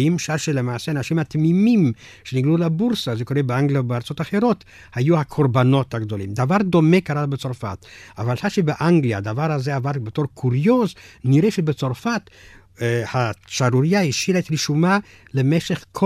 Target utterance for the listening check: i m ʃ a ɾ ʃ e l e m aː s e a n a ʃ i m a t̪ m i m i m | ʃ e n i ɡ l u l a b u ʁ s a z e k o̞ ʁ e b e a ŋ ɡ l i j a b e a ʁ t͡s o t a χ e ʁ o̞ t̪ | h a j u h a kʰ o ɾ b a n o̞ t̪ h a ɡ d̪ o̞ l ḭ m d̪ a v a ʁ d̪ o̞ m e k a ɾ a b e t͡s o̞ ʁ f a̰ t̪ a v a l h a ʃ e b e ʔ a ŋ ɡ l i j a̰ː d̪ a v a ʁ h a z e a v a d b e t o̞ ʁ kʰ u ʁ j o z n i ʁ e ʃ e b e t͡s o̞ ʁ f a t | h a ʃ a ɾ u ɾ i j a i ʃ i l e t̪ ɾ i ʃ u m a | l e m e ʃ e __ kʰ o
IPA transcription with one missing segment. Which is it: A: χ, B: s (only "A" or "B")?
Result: A